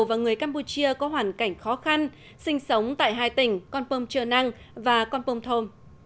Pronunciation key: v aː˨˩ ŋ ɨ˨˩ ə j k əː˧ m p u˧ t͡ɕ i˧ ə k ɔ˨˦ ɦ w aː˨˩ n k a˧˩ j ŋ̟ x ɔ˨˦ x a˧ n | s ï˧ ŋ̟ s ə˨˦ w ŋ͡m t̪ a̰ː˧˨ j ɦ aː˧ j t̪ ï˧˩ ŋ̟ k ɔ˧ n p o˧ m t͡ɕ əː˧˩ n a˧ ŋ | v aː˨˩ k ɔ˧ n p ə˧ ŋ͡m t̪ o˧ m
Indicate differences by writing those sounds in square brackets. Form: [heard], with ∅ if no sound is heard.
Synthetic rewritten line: v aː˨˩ ŋ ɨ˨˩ ə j k [aː˧] m p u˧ t͡ɕ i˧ ə k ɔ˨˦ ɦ w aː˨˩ n k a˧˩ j ŋ̟ x ɔ˨˦ x a˧ n | s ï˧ ŋ̟ s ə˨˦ w ŋ͡m t̪ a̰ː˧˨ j ɦ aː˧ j t̪ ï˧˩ ŋ̟ k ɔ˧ n p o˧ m t͡ɕ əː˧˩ n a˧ ŋ | v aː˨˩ k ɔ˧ n p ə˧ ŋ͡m [t̪ʰ] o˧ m